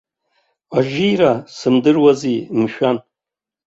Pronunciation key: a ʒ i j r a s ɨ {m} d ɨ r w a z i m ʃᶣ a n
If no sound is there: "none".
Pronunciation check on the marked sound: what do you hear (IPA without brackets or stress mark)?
m